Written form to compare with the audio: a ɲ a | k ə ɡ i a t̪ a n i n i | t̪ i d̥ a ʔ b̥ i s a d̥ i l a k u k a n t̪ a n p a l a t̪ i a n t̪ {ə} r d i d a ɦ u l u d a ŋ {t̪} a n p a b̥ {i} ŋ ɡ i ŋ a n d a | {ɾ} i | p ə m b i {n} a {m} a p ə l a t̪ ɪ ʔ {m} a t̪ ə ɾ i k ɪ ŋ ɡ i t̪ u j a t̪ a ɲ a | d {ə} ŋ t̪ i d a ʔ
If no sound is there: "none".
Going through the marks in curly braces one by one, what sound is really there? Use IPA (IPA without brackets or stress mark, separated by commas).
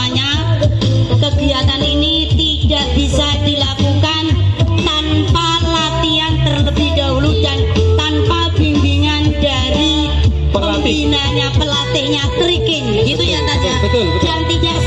ə, t̪, i, ɾ, n, ɲ, ɲ, a